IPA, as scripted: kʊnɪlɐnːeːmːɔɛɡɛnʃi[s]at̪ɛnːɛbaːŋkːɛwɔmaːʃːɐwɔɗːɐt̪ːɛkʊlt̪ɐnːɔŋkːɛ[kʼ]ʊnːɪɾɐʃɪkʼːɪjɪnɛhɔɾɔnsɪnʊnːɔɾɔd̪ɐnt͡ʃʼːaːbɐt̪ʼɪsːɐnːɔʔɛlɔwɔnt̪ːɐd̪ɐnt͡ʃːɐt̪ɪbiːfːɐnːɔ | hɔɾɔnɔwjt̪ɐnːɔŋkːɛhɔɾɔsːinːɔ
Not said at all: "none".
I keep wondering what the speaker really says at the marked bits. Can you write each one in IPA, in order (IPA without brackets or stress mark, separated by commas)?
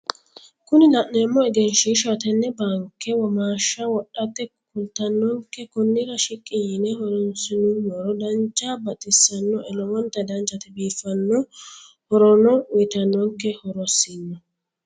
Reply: ʃ, k